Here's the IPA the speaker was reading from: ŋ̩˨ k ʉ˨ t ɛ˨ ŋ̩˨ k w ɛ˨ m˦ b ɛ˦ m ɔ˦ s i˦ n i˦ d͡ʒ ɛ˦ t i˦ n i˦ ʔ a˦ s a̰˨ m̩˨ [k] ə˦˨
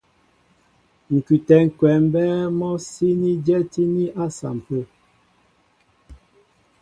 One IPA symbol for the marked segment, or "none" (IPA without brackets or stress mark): p